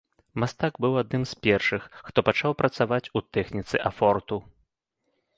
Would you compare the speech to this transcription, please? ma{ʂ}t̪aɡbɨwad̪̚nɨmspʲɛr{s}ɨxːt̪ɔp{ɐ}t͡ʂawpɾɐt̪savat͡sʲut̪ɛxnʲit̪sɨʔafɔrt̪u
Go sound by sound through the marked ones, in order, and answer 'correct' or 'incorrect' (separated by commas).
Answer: incorrect, incorrect, incorrect